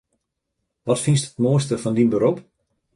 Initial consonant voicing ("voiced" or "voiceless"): voiced